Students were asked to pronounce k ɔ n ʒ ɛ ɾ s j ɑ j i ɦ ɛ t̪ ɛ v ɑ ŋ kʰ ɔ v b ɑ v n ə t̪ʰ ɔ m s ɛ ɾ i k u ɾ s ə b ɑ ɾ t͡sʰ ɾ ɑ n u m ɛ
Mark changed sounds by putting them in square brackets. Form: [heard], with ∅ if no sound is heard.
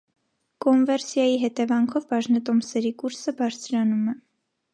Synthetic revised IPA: k ɔ n [v] ɛ ɾ s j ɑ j i ɦ ɛ t̪ ɛ v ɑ ŋ kʰ ɔ v b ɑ [ʒ] n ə [t̪] ɔ m s ɛ ɾ i k u ɾ s ə b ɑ ɾ t͡sʰ ɾ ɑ n u m ɛ